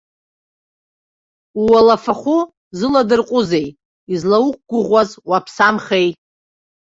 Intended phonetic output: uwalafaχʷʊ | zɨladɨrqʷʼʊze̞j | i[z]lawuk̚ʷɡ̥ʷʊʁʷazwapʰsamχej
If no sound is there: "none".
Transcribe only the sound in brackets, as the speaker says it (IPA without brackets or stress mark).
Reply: z